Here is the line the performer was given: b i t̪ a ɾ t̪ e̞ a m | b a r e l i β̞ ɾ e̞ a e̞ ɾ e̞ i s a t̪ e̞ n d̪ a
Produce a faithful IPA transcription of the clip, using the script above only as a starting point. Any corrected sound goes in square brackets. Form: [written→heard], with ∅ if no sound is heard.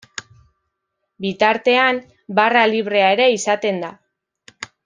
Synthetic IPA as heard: b i t̪ a ɾ t̪ e̞ a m | b a r [e→a] l i β̞ ɾ e̞ a e̞ ɾ e̞ i s a t̪ e̞ n d̪ a